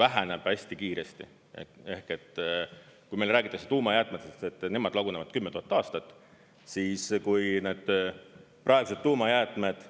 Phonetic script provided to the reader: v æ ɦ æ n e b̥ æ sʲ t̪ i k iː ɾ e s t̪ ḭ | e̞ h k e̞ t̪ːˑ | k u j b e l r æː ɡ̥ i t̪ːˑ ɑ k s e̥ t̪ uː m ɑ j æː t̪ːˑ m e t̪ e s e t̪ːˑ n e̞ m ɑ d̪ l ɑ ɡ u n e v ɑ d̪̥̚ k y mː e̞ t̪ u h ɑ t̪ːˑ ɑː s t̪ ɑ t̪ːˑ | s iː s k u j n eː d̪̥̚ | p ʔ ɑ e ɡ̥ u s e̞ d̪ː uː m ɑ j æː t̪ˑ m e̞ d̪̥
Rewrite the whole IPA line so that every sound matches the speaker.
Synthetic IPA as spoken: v æ ɦ æ n e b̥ æ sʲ t̪ i k iː ɾ e s t̪ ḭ | e̞ h k e̞ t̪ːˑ | k u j m e l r æː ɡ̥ i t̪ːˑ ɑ k s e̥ t̪ uː m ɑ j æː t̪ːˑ m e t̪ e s e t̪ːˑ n e̞ m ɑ d̪ l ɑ ɡ u n e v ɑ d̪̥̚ k y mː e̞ t̪ u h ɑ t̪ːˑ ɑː s t̪ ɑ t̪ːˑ | s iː s k u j n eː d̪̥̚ | p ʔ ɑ e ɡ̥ u s e̞ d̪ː uː m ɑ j æː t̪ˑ m e̞ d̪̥